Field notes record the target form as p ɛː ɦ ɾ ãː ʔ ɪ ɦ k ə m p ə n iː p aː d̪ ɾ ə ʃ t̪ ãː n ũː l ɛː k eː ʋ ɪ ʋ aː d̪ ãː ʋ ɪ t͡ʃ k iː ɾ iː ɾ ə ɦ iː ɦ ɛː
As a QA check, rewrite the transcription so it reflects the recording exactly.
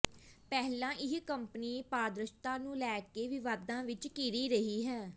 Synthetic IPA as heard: p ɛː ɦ l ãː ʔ ɪ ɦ k ə m p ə n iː p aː d̪ ɾ ə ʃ t̪ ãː n ũː l ɛː k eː ʋ ɪ ʋ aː d̪ ãː ʋ ɪ t͡ʃ k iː ɾ iː ɾ ə ɦ iː ɦ ɛː